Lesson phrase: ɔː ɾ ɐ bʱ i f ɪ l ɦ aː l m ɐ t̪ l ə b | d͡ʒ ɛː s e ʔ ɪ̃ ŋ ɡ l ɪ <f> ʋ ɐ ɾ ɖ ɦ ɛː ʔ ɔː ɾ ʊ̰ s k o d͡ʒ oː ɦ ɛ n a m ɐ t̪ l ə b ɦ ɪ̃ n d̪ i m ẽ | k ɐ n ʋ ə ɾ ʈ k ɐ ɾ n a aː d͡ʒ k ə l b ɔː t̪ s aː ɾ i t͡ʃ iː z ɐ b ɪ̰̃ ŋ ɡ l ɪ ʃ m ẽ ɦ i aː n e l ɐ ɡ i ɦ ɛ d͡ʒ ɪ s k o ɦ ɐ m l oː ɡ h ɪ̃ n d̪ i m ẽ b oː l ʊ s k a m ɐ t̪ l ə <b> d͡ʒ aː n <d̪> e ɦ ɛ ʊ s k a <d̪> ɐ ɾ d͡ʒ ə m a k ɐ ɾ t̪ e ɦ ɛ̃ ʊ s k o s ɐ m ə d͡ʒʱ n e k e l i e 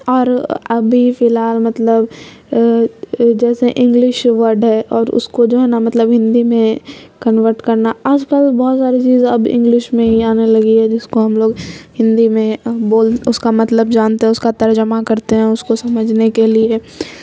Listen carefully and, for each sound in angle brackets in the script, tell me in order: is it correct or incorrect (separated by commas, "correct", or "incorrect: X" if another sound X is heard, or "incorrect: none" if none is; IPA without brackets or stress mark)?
incorrect: ʃ, correct, incorrect: t̪, incorrect: t̪